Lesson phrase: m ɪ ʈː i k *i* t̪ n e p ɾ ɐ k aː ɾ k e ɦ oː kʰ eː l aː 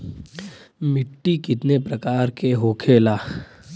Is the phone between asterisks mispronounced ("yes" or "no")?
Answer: yes